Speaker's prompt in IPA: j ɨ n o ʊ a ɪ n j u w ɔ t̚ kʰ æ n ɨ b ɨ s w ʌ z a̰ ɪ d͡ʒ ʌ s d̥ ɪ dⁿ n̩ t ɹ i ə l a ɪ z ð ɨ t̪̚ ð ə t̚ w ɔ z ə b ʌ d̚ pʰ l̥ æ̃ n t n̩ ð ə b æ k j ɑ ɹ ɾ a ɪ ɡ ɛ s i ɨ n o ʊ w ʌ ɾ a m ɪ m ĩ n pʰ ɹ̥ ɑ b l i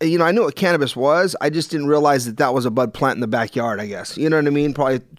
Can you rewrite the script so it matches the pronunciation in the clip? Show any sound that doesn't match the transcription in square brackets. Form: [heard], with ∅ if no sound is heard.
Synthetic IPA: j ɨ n o ʊ a ɪ n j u w [ʌ] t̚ kʰ æ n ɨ b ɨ s w ʌ z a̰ ɪ d͡ʒ ʌ s d̥ ɪ dⁿ n̩ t ɹ i ə l a ɪ z ð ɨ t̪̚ ð ə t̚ w [ʌ] z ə b ʌ d̚ pʰ l̥ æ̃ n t n̩ ð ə b æ k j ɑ ɹ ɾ a ɪ ɡ ɛ s [j] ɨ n o ʊ w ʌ ɾ a [∅] ɪ m ĩ n pʰ ɹ̥ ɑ b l i